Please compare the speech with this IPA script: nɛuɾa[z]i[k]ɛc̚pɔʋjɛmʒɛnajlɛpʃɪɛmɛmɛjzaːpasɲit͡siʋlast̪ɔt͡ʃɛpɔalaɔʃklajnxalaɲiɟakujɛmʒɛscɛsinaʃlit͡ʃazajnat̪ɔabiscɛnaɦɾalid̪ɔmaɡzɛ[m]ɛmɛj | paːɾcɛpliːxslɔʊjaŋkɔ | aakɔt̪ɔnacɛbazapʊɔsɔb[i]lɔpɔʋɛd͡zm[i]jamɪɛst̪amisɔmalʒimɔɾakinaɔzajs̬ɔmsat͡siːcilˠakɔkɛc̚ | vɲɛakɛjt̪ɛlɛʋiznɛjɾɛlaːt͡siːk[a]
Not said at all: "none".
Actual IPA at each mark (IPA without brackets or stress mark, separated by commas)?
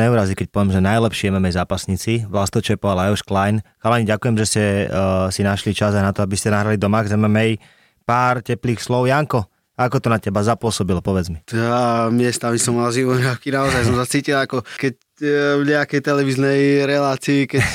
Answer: z, k, m, i, i, ɛ